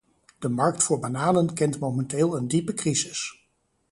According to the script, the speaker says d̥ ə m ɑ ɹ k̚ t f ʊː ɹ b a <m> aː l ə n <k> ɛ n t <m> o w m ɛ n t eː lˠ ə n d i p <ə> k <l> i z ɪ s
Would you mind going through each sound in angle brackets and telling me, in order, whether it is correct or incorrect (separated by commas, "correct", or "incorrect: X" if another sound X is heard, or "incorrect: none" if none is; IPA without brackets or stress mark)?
incorrect: n, correct, correct, correct, incorrect: r